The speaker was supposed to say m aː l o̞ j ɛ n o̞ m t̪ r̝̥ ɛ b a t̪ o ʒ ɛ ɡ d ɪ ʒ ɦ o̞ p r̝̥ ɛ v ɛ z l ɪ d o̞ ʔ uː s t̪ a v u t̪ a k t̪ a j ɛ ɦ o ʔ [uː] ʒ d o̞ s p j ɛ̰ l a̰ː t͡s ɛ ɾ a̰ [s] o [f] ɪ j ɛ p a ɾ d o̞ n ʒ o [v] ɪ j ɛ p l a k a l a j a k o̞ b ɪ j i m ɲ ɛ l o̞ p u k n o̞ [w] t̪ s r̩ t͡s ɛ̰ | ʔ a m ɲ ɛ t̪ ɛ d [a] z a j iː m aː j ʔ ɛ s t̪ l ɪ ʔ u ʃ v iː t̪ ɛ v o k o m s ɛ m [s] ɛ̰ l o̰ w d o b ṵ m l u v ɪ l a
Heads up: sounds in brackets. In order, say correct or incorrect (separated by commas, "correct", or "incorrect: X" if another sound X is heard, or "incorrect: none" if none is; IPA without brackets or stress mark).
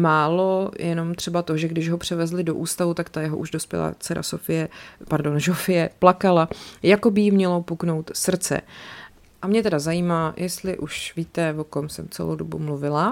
incorrect: u, correct, correct, incorrect: f, correct, correct, incorrect: t͡s